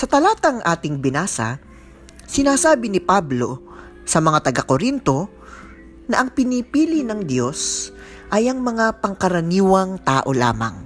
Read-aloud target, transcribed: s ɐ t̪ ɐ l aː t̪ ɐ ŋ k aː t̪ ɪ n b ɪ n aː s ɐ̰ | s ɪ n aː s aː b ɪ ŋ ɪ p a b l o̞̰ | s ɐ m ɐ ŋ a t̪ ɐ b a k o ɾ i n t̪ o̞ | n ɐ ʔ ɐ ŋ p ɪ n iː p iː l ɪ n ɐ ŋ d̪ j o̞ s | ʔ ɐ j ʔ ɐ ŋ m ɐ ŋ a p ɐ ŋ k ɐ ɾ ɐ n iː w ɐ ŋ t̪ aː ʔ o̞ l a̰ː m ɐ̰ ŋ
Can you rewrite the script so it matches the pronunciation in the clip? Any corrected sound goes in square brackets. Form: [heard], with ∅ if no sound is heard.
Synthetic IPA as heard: s ɐ t̪ ɐ l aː t̪ ɐ ŋ [ʔ] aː t̪ ɪ [ŋ] b ɪ n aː s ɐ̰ | s ɪ n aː s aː b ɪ [n] ɪ p a b l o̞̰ | s ɐ m ɐ ŋ a t̪ ɐ [ɡ] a k o ɾ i n t̪ o̞ | n ɐ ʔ ɐ ŋ p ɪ n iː p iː l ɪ n ɐ ŋ d̪ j o̞ s | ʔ ɐ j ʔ ɐ ŋ m ɐ ŋ a p ɐ ŋ k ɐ ɾ ɐ n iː w ɐ ŋ t̪ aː ʔ o̞ l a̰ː m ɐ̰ ŋ